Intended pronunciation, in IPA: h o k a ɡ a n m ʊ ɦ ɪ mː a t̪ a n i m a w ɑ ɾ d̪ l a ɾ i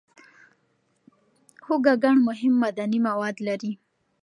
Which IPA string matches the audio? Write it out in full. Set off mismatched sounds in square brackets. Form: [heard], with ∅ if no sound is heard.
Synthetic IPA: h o [ɡ] a ɡ a [ɳ] m ʊ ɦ ɪ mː a [d̪] a n i m a w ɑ [∅] d̪ l a ɾ i